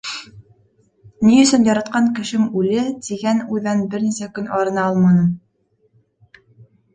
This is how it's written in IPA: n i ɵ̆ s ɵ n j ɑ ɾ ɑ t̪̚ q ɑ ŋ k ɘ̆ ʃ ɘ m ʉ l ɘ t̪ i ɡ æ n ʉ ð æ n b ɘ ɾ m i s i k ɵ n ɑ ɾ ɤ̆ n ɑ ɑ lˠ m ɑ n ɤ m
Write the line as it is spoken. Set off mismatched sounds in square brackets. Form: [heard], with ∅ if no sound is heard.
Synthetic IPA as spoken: n i ɵ̆ s ɵ n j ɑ ɾ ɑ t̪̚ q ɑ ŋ k ɘ̆ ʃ ɘ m ʉ l ɘ t̪ i ɡ æ n ʉ ð æ n b ɘ ɾ [n] i s [æ] k ɵ n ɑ ɾ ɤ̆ n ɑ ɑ lˠ m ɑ n ɤ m